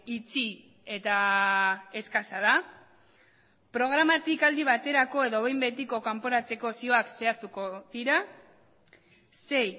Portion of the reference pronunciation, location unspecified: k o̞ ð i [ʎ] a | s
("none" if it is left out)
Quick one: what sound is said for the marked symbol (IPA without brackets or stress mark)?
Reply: ɾ